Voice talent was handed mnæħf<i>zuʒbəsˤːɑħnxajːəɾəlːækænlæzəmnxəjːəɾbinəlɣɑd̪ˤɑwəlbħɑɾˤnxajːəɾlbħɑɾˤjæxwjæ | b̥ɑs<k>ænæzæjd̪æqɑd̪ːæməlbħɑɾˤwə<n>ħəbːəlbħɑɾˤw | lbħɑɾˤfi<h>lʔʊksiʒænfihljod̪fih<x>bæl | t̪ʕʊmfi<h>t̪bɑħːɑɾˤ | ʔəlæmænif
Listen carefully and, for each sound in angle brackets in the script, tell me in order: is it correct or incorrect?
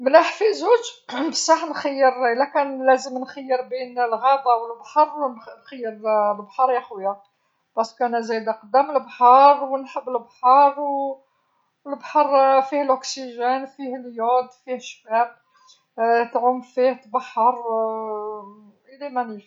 correct, correct, correct, correct, incorrect, correct

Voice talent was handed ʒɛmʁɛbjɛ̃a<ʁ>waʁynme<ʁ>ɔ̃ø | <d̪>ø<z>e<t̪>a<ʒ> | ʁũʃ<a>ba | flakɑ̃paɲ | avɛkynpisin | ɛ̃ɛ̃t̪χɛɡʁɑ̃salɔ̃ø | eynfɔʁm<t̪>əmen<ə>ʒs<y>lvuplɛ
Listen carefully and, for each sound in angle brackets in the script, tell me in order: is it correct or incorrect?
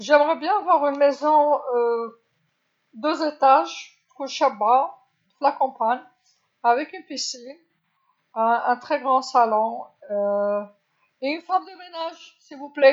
incorrect, incorrect, correct, correct, correct, correct, correct, incorrect, incorrect, incorrect

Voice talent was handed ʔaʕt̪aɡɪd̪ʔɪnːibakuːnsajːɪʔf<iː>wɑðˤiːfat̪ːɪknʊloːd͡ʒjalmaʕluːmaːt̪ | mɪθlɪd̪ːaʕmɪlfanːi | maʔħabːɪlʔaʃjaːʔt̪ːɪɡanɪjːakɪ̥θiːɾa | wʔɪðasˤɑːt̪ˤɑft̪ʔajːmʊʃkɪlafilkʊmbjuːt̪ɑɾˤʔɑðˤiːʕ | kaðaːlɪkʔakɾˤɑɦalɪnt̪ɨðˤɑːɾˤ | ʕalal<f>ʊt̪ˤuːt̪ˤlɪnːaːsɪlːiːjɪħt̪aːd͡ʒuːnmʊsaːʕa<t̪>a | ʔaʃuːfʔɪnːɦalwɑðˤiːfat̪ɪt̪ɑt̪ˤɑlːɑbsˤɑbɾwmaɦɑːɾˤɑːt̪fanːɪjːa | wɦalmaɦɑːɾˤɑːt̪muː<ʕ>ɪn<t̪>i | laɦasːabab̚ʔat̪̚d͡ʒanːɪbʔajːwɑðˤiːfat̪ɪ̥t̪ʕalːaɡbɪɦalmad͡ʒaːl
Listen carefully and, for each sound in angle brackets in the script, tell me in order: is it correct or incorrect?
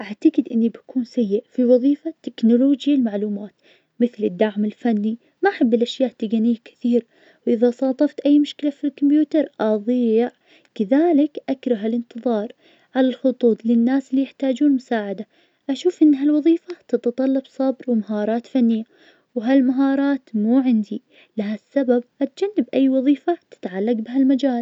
incorrect, incorrect, incorrect, correct, incorrect

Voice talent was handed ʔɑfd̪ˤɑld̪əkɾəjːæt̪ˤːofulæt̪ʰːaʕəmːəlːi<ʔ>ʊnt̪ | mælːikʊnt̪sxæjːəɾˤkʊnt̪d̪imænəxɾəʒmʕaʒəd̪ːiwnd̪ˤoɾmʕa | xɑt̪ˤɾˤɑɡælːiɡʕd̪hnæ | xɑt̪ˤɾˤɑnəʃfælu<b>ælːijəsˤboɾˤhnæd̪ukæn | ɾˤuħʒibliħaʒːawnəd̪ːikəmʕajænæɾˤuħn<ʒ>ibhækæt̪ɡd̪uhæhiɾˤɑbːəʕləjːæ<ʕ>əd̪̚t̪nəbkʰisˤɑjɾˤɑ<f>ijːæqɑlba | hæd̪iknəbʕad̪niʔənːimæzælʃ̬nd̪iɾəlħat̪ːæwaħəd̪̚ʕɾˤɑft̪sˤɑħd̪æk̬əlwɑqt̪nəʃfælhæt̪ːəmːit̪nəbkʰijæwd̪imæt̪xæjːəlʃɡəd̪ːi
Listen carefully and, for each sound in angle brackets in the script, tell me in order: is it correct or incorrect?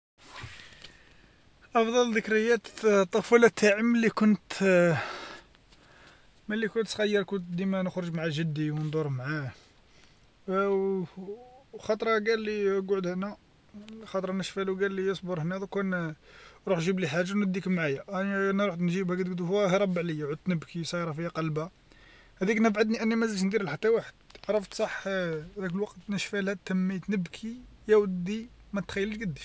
incorrect, incorrect, correct, correct, correct

